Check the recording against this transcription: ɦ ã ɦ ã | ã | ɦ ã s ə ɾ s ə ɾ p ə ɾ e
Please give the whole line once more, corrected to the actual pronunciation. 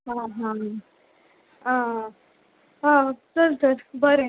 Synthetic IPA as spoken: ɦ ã ɦ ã | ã | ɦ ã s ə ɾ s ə ɾ b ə ɾ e